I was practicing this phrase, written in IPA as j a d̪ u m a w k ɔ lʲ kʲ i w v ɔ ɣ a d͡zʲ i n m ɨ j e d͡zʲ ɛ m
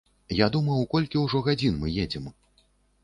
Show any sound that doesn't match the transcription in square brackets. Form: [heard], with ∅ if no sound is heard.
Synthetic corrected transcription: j a d̪ u m [ɐ] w k ɔ lʲ kʲ i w [ʐ] ɔ ɣ a d͡zʲ i n m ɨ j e d͡zʲ ɛ m